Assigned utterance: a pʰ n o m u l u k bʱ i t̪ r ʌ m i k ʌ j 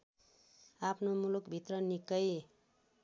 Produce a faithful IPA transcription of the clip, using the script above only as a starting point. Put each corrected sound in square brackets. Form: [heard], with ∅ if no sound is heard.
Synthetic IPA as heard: a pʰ n o m u l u k bʱ i t̪ r ʌ [n] i k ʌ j